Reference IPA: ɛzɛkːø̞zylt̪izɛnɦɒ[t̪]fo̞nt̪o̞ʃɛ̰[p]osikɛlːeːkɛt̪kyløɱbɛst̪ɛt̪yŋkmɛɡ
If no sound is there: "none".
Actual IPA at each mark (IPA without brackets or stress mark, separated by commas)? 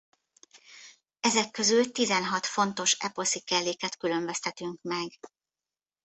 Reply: t̪, p